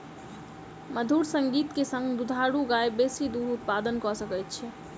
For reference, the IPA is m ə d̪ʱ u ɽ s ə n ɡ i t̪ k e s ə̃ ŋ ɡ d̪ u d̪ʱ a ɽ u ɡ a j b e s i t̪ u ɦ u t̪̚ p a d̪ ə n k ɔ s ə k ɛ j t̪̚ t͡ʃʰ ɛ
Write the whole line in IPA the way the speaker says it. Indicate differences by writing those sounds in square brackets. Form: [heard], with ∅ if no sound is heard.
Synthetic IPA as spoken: m ə d̪ʱ u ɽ s ə [ŋ] ɡ i t̪ k e s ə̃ ŋ ɡ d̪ u d̪ʱ a ɽ u ɡ a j b e s i [d̪] u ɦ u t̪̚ p a d̪ ə n k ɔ s ə k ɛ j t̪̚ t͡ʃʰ ɛ